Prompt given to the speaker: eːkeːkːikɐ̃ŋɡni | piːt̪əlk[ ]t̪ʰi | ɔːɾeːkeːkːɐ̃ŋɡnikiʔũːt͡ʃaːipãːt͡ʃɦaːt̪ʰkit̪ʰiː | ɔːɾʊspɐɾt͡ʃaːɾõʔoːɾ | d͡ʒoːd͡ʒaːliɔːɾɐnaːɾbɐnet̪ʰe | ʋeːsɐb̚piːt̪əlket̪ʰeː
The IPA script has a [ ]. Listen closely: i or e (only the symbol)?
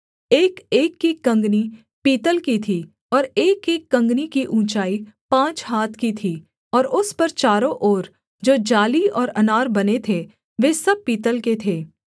i